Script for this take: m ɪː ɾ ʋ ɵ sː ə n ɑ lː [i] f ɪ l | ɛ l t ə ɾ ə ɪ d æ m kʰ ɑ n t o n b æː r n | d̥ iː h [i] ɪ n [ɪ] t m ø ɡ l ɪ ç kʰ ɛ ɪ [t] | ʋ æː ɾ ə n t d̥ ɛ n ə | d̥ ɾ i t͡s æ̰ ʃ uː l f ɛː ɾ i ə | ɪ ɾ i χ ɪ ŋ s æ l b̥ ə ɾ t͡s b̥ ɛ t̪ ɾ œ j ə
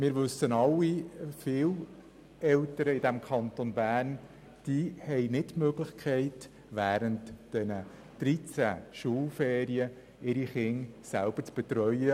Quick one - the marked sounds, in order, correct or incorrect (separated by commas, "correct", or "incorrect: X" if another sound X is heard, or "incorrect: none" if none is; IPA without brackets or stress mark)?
correct, incorrect: ɛ, correct, correct